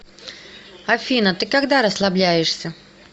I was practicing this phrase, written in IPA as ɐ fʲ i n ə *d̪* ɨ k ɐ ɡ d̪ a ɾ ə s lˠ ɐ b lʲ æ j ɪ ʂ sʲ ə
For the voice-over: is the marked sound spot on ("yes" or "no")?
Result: no